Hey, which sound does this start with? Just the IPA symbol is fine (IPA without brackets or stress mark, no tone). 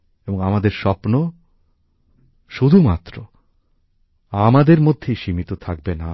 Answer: e